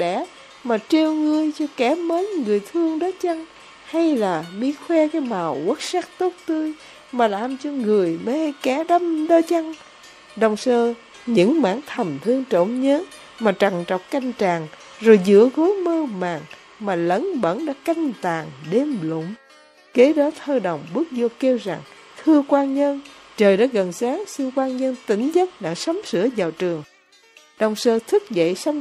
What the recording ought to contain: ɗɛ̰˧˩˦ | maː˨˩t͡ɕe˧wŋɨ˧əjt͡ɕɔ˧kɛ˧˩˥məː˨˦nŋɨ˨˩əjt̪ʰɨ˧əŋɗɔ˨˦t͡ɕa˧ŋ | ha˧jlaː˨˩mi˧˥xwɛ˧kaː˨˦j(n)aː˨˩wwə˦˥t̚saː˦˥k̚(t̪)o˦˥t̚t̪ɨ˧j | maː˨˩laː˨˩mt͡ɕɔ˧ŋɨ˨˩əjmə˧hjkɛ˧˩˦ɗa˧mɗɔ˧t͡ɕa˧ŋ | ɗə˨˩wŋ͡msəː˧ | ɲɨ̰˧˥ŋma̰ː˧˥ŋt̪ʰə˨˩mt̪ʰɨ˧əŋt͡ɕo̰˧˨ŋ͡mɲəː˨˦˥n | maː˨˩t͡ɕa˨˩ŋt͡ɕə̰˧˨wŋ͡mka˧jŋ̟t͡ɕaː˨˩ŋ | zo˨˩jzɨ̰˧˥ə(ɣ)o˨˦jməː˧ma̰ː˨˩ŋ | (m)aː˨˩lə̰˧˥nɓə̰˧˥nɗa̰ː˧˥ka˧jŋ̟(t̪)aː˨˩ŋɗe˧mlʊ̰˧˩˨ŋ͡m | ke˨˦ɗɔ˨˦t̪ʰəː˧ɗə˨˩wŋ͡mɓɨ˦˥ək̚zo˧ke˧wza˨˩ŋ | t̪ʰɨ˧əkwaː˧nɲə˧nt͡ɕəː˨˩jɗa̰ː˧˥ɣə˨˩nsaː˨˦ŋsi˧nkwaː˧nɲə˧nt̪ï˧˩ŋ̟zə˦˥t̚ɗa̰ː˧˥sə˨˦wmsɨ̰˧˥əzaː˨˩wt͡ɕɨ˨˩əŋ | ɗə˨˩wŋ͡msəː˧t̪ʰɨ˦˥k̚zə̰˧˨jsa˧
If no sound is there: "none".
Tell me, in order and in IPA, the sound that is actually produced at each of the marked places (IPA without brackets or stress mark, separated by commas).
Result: m, t̪, ɣ, m, t̪